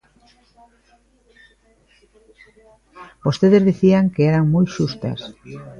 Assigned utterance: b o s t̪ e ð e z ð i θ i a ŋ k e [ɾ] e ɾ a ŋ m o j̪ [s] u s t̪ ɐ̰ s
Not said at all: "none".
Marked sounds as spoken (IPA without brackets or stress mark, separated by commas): none, ʃ